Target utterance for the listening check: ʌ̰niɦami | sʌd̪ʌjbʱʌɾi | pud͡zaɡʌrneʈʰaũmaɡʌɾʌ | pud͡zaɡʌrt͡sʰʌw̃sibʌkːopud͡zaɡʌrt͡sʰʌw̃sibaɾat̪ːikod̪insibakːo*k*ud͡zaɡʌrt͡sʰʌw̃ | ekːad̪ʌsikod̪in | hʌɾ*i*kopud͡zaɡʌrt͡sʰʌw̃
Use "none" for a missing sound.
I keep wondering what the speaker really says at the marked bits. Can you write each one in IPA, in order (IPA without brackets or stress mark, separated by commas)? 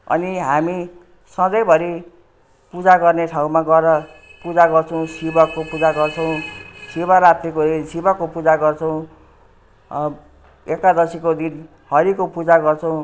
p, i